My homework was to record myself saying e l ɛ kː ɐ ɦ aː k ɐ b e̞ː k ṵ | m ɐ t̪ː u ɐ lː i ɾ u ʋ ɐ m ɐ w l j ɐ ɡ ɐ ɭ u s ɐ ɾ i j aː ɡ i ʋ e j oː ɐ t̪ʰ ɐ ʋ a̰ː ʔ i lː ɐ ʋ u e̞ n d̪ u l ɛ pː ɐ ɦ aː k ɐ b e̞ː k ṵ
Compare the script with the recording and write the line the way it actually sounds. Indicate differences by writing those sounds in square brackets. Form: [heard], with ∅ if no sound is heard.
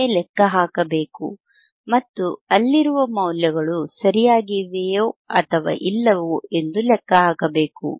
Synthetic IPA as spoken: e l ɛ kː ɐ ɦ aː k ɐ b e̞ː k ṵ | m ɐ t̪ː u ɐ lː i ɾ u ʋ ɐ m ɐ w l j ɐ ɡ ɐ ɭ u s ɐ ɾ i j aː ɡ i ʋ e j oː ɐ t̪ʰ ɐ ʋ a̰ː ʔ i lː ɐ ʋ u e̞ n d̪ u l ɛ [kː] ɐ ɦ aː k ɐ b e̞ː k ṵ